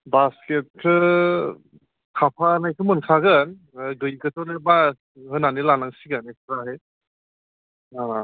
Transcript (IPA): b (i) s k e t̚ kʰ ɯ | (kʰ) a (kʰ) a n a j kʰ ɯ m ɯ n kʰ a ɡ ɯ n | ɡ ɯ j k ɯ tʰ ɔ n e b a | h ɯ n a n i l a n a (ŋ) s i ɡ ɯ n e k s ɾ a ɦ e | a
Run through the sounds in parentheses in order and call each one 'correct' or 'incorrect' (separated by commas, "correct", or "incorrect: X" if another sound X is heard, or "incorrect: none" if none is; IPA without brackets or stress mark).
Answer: incorrect: a, correct, incorrect: pʰ, correct